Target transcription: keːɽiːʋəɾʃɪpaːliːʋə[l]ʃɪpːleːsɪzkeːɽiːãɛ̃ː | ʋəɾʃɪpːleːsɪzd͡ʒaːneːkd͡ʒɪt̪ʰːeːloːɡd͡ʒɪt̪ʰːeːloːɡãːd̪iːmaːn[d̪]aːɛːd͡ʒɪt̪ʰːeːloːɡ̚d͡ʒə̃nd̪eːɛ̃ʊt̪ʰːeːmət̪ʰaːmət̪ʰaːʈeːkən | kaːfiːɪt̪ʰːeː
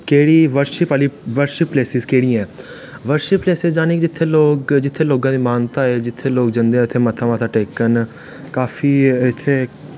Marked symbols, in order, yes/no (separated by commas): no, no